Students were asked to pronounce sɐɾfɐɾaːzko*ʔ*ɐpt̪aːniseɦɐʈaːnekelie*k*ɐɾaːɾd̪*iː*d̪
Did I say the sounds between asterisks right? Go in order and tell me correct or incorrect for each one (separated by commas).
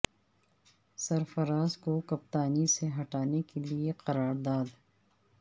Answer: incorrect, incorrect, incorrect